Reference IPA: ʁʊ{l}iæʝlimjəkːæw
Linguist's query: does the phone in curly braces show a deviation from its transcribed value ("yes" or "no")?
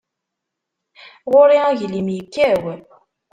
yes